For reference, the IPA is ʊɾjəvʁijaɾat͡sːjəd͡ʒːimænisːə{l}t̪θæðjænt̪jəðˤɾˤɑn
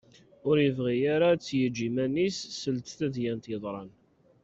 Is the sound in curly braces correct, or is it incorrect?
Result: correct